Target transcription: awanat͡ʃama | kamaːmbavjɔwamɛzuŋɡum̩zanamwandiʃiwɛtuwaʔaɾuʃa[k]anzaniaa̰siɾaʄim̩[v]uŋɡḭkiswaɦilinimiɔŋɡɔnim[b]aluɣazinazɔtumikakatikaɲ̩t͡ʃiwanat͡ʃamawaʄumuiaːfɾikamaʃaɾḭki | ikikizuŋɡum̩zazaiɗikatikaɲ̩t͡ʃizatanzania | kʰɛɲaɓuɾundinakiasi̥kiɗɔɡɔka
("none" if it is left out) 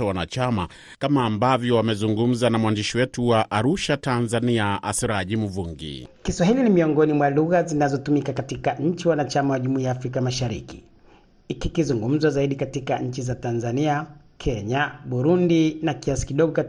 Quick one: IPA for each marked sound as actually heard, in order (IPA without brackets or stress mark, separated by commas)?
t, v, w